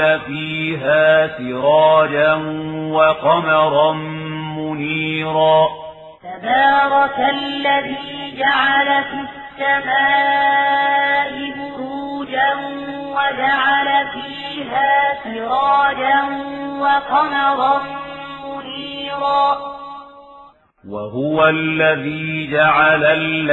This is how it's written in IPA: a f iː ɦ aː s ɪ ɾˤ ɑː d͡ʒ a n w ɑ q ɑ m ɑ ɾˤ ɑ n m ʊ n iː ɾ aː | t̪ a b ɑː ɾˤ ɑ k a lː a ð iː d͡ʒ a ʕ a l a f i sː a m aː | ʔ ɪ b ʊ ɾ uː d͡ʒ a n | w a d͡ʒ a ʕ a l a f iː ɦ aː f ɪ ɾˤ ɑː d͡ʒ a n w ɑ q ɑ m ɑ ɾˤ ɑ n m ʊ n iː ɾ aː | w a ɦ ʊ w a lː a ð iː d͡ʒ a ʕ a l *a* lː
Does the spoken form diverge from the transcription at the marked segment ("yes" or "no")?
no